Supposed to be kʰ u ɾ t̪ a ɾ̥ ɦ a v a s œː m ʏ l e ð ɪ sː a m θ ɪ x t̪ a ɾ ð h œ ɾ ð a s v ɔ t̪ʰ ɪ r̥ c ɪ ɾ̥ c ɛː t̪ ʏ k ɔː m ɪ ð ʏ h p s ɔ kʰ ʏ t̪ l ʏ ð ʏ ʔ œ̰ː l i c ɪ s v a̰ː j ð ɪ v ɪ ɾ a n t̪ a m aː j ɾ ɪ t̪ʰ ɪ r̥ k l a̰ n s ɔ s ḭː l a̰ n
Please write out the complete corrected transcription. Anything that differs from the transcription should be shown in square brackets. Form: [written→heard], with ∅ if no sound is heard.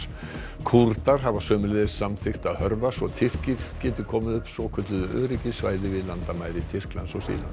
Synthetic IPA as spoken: kʰ u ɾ t̪ a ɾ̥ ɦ a v a s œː m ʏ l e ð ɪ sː a m θ ɪ x t̪ a [ɾ→∅] ð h œ ɾ [ð→v] a s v ɔ t̪ʰ ɪ r̥ c ɪ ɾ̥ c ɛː t̪ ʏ [k→kʰ] ɔː m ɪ ð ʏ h p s ɔ kʰ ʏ t̪ l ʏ ð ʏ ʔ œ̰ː [l→ɾ] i c ɪ s v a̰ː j ð ɪ v ɪ [ɾ→l] a n t̪ a m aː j ɾ ɪ t̪ʰ ɪ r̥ k l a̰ n s ɔ s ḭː l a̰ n

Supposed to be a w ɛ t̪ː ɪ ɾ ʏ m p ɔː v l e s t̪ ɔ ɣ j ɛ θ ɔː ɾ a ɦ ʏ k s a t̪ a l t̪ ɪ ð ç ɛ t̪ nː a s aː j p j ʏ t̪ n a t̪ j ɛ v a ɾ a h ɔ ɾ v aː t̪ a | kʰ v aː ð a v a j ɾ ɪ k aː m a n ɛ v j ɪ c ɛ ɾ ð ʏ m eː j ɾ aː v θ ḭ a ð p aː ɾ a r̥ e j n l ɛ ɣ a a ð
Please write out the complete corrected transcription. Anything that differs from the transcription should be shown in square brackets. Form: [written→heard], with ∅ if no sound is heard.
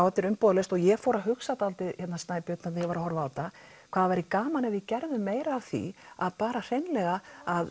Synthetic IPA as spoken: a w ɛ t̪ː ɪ ɾ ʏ m p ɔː [v→ð] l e s t̪ ɔ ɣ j ɛ [θ→f] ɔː ɾ a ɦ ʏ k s a t̪ a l t̪ ɪ ð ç ɛ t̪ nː a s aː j p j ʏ t̪ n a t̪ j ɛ v a ɾ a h ɔ ɾ v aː t̪ a | kʰ v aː ð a v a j ɾ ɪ k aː m a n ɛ v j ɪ c ɛ ɾ ð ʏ m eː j ɾ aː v θ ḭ a ð p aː ɾ a r̥ e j n l ɛ ɣ a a ð

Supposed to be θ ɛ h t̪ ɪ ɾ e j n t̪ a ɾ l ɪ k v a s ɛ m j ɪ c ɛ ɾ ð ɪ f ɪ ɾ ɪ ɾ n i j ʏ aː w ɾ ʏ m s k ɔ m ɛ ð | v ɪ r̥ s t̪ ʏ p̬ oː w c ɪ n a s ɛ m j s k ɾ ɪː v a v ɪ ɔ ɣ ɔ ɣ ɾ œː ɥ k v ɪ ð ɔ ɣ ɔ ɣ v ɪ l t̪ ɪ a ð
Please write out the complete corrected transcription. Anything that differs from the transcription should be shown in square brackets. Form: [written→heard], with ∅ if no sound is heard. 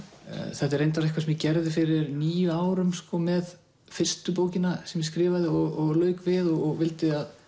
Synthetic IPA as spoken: θ ɛ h t̪ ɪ ɾ e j n t̪ a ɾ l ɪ k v a s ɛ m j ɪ c ɛ ɾ ð ɪ f ɪ ɾ ɪ ɾ n [i→iː] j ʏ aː w ɾ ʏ m s k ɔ m ɛ ð | [v→f] ɪ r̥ s t̪ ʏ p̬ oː w c ɪ n a s ɛ m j s k ɾ ɪː v a [v→ð] ɪ ɔ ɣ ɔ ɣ [ɾ→l] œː ɥ k v ɪ ð ɔ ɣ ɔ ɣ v ɪ l t̪ ɪ a ð

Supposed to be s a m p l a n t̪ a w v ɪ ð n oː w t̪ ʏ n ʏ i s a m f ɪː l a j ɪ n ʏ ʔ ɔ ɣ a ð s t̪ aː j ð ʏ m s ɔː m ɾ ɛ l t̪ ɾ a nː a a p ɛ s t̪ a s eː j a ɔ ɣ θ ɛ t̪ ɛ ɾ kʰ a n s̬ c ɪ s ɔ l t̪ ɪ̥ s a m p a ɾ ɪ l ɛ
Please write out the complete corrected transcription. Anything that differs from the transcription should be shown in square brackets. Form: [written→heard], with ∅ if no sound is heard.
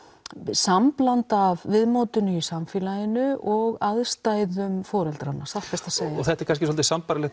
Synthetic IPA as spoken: s a m p l a n t̪ a [w→v] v ɪ ð [n→m] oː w t̪ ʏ n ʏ i s a m f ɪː l a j ɪ n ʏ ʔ ɔ ɣ a ð s t̪ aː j ð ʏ m [s→f] ɔː [m→∅] ɾ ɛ l t̪ ɾ a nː a a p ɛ s t̪ a s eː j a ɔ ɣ θ ɛ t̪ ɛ ɾ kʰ a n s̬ c ɪ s ɔ l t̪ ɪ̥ s a m p a ɾ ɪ l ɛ

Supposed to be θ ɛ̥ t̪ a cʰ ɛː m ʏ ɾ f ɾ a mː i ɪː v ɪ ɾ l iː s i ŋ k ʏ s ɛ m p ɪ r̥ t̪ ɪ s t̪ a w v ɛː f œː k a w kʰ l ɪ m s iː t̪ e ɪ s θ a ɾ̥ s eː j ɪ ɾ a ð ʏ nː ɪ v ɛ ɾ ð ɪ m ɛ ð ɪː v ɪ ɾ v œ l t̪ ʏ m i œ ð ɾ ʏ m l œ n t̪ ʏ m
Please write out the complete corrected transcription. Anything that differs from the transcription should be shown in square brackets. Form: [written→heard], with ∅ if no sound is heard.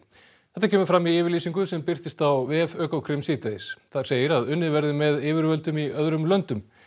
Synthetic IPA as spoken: θ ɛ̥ t̪ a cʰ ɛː m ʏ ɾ f ɾ a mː i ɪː v ɪ ɾ l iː s i ŋ k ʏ s ɛ m p ɪ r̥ t̪ ɪ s t̪ a w v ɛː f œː k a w kʰ [l→ɾ] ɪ m s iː t̪ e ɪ s θ a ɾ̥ s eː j ɪ ɾ a ð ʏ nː ɪ v ɛ ɾ ð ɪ m ɛ ð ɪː v ɪ ɾ v œ l t̪ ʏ m i œ ð ɾ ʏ m l œ n t̪ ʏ m

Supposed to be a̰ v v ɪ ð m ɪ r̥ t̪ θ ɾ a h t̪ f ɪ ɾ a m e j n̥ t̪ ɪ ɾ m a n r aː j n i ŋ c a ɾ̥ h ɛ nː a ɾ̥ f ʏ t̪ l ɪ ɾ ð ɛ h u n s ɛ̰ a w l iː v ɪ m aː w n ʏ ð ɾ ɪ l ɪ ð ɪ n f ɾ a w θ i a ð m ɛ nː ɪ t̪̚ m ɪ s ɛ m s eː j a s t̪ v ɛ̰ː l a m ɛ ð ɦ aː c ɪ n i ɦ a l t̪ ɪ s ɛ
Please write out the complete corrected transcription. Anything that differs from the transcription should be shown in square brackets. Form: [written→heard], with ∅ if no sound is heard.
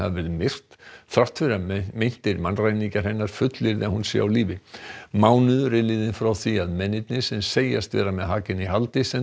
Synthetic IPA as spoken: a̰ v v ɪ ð m ɪ r̥ t̪ θ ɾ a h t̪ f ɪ ɾ a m e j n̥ t̪ ɪ ɾ m a n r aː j n i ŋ c a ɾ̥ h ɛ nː a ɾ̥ f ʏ t̪ l ɪ ɾ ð ɛ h u n s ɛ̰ a w l iː v ɪ m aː w n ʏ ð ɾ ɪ l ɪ ð ɪ n f ɾ a w θ i a ð m ɛ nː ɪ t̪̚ [m→n] ɪ s ɛ m s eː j a s t̪ v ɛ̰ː [l→ɾ] a m ɛ ð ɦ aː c ɪ n i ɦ a l t̪ ɪ s ɛ

